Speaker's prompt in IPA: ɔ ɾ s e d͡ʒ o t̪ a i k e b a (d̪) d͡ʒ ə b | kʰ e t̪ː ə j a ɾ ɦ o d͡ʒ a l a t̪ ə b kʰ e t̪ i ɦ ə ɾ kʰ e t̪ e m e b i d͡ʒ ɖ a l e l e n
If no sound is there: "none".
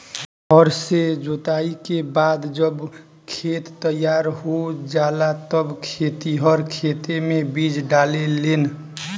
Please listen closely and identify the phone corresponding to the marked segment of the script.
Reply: d̪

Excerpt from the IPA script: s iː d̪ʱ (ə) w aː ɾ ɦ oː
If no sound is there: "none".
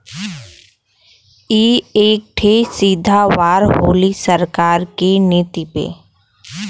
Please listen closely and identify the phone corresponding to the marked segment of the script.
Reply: a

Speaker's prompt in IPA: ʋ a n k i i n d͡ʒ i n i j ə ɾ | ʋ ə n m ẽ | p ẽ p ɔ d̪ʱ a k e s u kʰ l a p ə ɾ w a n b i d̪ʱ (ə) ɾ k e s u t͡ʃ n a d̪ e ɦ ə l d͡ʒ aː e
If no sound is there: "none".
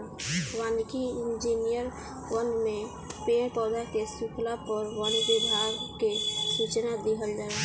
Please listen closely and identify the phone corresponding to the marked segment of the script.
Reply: a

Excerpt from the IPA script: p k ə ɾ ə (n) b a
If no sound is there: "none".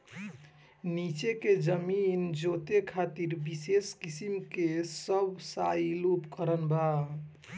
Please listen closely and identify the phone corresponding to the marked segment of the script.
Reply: n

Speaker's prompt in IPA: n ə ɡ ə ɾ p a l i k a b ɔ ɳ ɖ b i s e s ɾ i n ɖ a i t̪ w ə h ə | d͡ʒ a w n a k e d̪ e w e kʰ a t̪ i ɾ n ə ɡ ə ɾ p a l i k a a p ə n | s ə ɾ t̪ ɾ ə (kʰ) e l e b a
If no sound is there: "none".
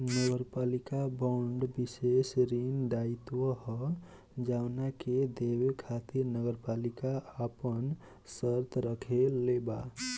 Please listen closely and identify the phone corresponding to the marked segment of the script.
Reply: kʰ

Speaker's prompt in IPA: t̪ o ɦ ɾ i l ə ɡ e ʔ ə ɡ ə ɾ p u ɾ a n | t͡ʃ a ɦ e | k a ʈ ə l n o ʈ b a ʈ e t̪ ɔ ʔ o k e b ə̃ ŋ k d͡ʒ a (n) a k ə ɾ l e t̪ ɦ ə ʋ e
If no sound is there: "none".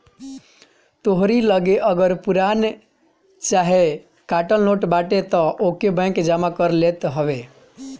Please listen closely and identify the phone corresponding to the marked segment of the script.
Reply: m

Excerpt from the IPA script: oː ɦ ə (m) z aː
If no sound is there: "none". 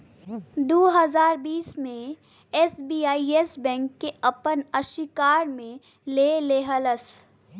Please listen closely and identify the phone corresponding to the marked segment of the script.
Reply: none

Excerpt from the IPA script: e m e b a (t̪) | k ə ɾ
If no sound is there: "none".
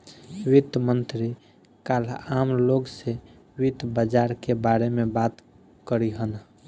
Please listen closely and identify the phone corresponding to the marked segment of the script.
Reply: t̪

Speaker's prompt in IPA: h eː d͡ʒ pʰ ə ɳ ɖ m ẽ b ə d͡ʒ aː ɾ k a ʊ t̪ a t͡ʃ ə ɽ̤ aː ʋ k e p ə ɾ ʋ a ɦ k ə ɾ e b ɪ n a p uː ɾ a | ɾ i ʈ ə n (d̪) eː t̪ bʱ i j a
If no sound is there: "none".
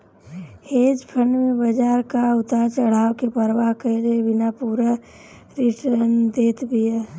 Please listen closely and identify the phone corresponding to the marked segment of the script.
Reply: d̪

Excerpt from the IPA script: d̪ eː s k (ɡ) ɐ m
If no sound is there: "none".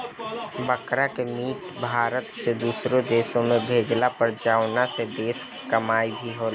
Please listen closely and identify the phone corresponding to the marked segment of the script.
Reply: k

